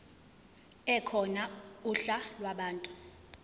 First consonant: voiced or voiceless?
voiceless